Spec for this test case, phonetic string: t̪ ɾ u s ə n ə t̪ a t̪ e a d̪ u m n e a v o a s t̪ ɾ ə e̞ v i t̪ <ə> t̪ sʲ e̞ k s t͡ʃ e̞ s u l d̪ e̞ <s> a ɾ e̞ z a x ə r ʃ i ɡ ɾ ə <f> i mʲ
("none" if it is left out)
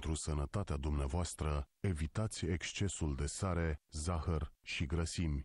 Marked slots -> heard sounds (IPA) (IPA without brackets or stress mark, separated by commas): a, s, s